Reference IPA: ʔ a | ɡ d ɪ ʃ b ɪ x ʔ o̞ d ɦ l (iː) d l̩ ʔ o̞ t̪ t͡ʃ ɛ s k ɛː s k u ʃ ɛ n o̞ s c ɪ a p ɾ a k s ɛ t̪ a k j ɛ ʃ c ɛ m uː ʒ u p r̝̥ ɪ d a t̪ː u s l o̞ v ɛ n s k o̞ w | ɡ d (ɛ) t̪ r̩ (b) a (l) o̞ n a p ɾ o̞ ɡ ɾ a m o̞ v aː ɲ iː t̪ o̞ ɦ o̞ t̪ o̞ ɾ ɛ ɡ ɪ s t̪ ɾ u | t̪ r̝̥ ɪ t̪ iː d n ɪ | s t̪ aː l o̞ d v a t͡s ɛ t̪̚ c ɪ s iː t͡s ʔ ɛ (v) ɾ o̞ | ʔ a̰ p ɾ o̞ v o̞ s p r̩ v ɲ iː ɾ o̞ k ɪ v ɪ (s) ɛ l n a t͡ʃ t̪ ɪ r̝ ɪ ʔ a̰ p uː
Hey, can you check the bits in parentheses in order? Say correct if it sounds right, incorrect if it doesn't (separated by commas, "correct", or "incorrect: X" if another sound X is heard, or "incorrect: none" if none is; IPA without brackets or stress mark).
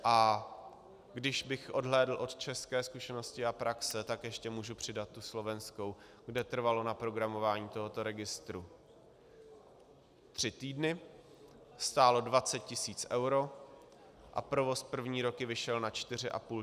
incorrect: ɛː, correct, incorrect: v, correct, incorrect: w, incorrect: ʃ